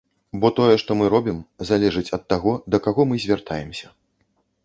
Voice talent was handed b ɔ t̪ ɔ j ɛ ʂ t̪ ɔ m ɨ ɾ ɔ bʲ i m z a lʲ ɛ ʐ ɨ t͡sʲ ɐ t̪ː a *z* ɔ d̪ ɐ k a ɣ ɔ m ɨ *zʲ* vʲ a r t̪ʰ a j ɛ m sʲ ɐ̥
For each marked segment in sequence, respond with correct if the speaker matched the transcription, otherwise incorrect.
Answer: incorrect, correct

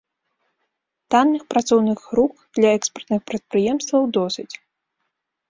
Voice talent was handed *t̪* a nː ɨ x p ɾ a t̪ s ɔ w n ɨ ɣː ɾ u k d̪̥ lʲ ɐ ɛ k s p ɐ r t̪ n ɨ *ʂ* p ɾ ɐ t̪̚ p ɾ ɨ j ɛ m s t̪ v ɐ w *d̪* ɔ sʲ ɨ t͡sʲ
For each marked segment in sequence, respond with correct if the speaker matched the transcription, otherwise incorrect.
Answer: correct, incorrect, correct

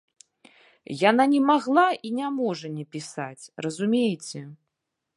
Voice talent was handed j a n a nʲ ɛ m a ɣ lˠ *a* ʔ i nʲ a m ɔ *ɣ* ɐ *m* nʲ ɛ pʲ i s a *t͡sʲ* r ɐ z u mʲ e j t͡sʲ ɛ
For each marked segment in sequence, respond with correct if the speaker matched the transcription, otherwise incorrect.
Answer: correct, incorrect, incorrect, correct

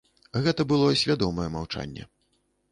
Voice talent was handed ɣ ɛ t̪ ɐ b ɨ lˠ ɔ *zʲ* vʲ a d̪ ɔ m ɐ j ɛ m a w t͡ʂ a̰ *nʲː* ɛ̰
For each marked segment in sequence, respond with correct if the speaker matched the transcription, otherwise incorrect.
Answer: incorrect, correct

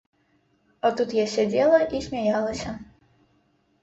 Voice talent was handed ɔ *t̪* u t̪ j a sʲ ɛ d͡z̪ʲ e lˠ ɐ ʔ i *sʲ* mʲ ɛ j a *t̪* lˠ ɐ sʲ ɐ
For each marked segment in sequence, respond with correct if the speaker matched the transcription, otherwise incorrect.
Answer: correct, correct, incorrect

